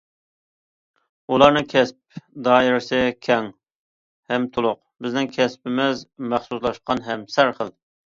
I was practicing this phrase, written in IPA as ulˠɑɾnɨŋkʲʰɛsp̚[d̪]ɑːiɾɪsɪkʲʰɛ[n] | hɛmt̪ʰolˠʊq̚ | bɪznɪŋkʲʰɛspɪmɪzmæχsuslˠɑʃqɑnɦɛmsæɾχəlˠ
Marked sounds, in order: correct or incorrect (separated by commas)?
correct, incorrect